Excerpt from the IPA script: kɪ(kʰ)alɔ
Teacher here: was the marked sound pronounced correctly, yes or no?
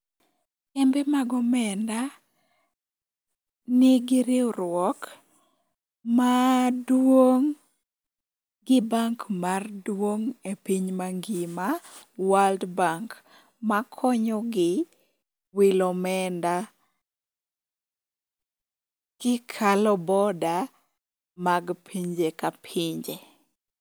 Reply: yes